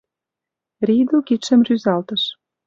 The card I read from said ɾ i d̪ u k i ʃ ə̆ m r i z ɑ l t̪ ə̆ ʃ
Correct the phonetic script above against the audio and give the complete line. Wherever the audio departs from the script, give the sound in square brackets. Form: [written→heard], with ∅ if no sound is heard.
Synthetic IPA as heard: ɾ i d̪ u k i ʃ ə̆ m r [i→y] z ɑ l t̪ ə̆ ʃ